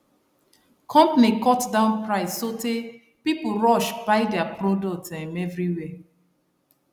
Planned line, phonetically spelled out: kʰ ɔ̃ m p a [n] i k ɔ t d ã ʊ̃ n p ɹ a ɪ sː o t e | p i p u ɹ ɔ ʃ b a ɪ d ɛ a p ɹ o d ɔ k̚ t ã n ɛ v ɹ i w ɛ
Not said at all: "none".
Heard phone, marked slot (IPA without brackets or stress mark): n